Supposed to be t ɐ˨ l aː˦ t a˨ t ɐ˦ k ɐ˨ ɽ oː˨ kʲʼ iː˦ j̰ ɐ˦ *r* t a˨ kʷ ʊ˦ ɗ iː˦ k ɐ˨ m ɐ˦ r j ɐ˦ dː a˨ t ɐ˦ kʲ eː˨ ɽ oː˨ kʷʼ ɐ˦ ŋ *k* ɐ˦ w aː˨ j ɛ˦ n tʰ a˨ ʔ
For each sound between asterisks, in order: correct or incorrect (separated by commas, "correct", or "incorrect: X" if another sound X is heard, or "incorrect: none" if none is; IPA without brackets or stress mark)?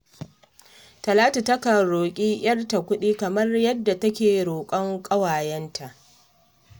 correct, incorrect: kʼ